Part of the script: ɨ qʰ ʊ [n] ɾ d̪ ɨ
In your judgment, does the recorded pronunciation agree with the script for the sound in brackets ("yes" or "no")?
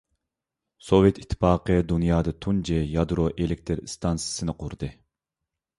no